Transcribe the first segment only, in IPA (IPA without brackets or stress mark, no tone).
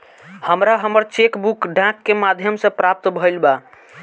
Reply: h